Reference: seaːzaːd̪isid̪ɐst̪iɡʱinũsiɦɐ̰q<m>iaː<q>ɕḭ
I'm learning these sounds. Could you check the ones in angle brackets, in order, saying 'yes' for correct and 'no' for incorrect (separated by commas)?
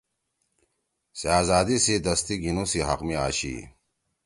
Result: yes, no